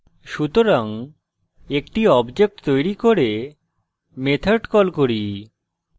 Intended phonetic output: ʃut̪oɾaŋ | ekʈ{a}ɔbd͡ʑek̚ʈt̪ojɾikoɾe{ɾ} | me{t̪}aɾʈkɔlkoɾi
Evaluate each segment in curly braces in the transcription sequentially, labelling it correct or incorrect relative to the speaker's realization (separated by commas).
incorrect, incorrect, incorrect